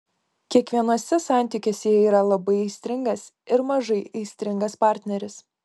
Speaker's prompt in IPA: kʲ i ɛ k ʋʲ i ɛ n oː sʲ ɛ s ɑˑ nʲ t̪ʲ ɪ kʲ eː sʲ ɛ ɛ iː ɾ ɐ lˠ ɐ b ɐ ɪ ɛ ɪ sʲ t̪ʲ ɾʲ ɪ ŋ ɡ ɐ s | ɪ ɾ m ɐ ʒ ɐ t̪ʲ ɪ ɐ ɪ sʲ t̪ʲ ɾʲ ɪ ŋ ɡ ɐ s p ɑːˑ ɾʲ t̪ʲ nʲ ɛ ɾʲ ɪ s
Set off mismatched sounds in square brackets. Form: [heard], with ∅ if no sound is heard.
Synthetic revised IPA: kʲ i ɛ k ʋʲ i ɛ n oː sʲ ɛ s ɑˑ nʲ t̪ʲ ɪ kʲ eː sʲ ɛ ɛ iː ɾ ɐ lˠ ɐ b ɐ ɪ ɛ ɪ sʲ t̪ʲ ɾʲ ɪ ŋ ɡ ɐ s | ɪ ɾ m ɐ ʒ ɐ [∅] ɪ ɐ ɪ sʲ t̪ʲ ɾʲ ɪ ŋ ɡ ɐ s p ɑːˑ ɾʲ t̪ʲ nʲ ɛ ɾʲ ɪ s